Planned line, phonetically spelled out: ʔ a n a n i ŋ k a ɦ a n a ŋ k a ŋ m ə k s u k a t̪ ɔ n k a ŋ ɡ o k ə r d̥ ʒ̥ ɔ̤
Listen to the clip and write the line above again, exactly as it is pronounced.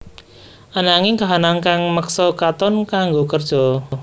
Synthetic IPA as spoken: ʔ a n a ŋ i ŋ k a ɦ a n a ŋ k a ŋ m ə k s ɔ k a t̪ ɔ n k a ŋ ɡ o k ə r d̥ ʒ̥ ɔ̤